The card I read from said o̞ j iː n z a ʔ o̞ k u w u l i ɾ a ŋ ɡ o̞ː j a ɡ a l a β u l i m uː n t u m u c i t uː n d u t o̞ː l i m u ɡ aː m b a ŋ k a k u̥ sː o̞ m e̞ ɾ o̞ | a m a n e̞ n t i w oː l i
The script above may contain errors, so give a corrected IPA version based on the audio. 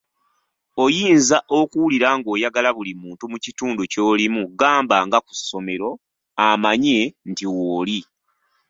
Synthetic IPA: o̞ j iː n z a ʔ o̞ k u w u l i ɾ a ŋ ɡ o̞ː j a ɡ a l a β u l i m uː n t u m u c i t uː n d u c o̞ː l i m u ɡ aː m b a ŋ ɡ a k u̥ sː o̞ m e̞ ɾ o̞ | a m a ɲ e̞ n t i w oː l i